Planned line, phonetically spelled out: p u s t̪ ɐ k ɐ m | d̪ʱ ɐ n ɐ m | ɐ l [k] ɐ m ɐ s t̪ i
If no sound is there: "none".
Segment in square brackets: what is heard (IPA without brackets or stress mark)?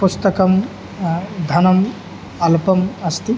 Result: p